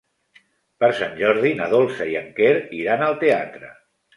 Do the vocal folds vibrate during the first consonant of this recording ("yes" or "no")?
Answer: no